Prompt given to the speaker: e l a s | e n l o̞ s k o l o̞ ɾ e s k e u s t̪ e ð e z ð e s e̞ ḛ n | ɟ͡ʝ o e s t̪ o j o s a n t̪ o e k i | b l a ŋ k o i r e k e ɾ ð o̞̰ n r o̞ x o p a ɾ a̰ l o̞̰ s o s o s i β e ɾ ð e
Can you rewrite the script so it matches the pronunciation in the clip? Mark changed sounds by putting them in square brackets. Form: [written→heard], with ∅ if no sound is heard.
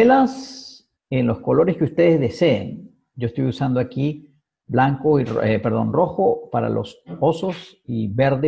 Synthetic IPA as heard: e l a s | e n l o̞ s k o l o̞ ɾ e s k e u s t̪ e ð e z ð e s e̞ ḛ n | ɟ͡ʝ o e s t̪ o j [o→u] s a n [t̪→d̪] o [e→a] k i | b l a ŋ k o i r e [k→p] e ɾ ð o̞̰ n r o̞ x o p a ɾ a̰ l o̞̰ s o s o s i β e ɾ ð e